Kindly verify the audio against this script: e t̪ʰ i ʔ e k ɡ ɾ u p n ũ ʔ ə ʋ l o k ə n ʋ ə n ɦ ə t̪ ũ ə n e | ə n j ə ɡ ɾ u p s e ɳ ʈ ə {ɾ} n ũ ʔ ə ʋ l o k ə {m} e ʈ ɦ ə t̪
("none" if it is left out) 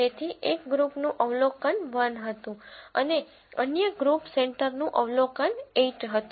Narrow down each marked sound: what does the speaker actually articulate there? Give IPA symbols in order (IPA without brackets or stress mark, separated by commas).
ɾ, n